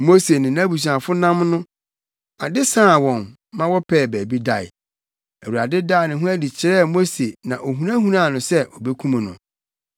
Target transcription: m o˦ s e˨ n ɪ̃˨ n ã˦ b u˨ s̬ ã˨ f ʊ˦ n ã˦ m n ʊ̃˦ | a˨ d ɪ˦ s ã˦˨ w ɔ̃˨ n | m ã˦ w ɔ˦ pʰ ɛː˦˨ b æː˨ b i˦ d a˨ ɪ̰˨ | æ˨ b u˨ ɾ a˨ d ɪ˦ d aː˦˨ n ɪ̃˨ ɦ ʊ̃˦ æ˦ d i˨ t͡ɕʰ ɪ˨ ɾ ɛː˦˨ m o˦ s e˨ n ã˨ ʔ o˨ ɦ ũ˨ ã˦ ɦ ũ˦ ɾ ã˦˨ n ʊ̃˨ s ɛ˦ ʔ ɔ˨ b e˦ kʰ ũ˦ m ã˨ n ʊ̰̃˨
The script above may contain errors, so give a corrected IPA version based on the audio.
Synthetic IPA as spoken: m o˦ s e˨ n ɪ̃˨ n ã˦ b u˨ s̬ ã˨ f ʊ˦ n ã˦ m n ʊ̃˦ | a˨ d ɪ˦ s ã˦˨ w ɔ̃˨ n | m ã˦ w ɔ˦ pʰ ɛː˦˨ b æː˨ b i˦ d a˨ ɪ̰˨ | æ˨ w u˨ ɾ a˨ d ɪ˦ d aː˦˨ n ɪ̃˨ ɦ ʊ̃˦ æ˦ d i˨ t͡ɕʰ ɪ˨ ɾ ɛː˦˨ m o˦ s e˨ n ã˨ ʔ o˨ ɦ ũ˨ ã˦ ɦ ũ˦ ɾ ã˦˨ n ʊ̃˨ s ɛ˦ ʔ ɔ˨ b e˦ kʰ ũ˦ m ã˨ n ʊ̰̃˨